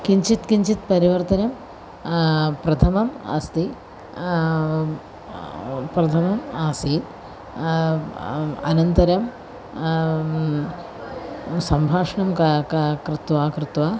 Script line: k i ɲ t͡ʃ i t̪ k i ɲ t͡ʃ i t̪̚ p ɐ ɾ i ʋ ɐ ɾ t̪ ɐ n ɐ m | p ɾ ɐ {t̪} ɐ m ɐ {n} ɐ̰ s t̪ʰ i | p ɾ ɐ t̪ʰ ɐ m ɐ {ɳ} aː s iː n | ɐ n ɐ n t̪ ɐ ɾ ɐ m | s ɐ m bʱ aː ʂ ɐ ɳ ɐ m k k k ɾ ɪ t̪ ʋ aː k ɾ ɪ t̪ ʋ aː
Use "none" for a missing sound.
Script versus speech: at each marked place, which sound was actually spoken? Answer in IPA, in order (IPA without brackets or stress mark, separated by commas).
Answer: t̪ʰ, m, m